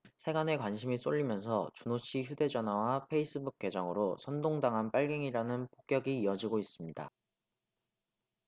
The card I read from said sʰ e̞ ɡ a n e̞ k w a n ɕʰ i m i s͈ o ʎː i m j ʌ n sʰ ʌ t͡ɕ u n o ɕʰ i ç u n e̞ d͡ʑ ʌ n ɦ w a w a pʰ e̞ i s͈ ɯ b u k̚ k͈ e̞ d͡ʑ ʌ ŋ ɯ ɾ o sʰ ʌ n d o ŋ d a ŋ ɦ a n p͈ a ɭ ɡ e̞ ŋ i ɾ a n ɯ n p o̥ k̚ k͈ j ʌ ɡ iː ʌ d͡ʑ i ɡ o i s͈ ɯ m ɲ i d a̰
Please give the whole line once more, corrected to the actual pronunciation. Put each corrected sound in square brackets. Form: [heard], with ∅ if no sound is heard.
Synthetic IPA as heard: sʰ e̞ ɡ a n e̞ k w a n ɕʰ i m i s͈ o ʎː i m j ʌ n sʰ ʌ t͡ɕ u n o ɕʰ i ç u [d] e̞ d͡ʑ ʌ n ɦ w a w a pʰ e̞ i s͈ ɯ b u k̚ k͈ e̞ d͡ʑ ʌ ŋ ɯ ɾ o sʰ ʌ n d o ŋ d a ŋ ɦ a n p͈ a ɭ ɡ e̞ ŋ i ɾ a n ɯ n p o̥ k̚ k͈ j ʌ ɡ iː ʌ d͡ʑ i ɡ o i s͈ ɯ m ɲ i d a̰